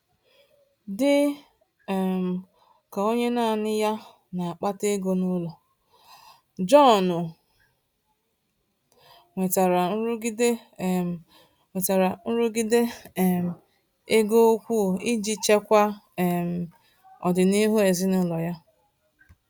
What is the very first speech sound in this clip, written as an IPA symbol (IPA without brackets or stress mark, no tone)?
d